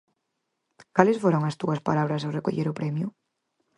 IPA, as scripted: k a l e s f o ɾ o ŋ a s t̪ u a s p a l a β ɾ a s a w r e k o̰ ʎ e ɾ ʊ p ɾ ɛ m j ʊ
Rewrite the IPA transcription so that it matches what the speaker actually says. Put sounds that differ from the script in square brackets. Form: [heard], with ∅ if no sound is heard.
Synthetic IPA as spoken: k a l e s f o ɾ o ŋ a s t̪ u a s p a l a β ɾ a s a w r e k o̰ ʎ e ɾ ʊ p ɾ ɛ m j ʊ